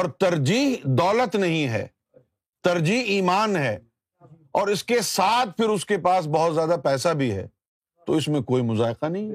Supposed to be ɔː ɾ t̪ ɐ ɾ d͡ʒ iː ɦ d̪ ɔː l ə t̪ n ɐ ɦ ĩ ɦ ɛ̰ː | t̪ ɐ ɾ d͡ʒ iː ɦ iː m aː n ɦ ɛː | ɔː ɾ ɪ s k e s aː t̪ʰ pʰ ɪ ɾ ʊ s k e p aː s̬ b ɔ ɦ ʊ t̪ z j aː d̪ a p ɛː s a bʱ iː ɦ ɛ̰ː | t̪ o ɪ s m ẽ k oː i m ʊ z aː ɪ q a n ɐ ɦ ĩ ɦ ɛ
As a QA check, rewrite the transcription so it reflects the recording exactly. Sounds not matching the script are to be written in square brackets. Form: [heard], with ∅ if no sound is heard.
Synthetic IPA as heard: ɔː ɾ t̪ ɐ ɾ d͡ʒ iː ɦ d̪ ɔː l ə t̪ n ɐ ɦ ĩ ɦ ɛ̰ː | t̪ ɐ ɾ d͡ʒ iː ɦ iː m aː n ɦ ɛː | ɔː ɾ ɪ s k e s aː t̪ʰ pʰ ɪ ɾ ʊ s k e p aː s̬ b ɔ ɦ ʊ t̪ z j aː d̪ a p ɛː s a bʱ [i] ɦ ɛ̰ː | t̪ o ɪ s m ẽ k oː i m ʊ z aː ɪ q a n ɐ ɦ ĩ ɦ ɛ